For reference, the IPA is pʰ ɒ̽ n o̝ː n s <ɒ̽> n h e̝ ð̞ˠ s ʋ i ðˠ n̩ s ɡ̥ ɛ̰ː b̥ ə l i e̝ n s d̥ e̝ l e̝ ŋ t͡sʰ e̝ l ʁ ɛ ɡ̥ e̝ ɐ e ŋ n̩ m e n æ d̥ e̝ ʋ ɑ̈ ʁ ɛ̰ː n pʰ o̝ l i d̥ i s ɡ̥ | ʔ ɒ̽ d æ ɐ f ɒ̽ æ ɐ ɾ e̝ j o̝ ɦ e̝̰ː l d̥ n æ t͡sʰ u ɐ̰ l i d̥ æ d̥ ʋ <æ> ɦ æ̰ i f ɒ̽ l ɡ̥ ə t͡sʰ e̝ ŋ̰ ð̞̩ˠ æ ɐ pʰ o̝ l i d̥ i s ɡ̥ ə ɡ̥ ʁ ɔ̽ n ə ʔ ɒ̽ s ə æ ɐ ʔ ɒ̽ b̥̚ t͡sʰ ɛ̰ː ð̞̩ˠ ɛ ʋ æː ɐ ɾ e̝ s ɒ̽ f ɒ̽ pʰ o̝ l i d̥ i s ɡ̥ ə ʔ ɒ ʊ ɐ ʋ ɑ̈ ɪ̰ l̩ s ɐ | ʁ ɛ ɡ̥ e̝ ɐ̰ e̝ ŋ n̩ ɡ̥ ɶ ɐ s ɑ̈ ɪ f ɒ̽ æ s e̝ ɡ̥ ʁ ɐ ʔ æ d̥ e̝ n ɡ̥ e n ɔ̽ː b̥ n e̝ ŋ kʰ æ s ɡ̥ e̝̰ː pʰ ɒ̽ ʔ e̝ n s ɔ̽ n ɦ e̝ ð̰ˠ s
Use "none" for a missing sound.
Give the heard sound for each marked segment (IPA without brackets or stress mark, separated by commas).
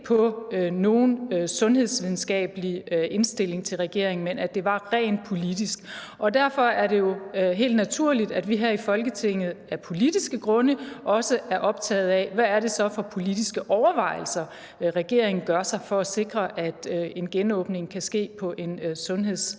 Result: ɔ̽, i